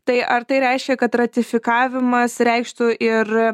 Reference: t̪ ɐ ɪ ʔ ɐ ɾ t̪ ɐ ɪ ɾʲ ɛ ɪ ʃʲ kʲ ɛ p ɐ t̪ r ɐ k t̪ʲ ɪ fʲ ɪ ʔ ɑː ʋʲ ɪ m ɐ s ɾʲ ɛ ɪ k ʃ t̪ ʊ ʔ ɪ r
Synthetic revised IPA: t̪ ɐ ɪ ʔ ɐ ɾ t̪ ɐ ɪ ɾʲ ɛ ɪ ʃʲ kʲ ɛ k ɐ t̪ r ɐ t̪ʲ ɪ fʲ ɪ k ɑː ʋʲ ɪ m ɐ s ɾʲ ɛ ɪ k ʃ t̪ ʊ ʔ ɪ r